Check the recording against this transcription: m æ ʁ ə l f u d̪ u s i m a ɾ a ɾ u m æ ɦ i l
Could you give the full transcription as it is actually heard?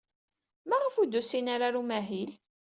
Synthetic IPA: m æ ʁ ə f u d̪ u s i n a ɾ a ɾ u m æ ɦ i l